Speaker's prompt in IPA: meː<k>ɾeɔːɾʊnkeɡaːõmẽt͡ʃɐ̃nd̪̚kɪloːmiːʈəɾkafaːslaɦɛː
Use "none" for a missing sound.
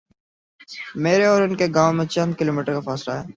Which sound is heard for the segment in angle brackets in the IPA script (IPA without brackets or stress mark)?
none